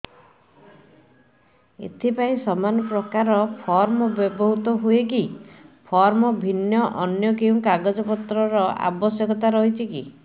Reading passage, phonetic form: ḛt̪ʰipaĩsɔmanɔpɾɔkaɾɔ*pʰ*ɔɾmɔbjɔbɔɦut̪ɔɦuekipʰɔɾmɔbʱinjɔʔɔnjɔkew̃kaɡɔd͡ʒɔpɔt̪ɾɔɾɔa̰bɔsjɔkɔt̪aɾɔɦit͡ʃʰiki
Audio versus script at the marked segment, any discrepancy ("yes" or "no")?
no